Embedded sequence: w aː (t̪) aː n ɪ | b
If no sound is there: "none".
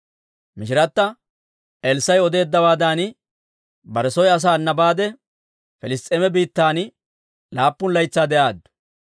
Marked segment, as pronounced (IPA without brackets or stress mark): d̪